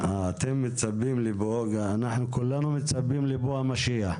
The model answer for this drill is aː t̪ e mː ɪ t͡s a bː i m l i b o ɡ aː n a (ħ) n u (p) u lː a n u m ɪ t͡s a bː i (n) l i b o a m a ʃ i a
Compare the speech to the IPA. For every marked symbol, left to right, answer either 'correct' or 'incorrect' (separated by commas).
correct, incorrect, incorrect